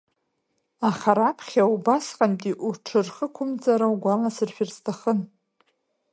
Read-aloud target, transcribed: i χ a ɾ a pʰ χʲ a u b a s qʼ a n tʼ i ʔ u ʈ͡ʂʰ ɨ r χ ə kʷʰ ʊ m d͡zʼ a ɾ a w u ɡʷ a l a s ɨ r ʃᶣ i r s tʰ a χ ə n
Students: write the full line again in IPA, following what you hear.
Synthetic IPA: a χ a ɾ a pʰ χʲ a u b a s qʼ a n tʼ i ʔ u ʈ͡ʂʰ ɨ r χ ə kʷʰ ʊ m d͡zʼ a ɾ a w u ɡʷ a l a s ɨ r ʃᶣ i r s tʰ a χ ə n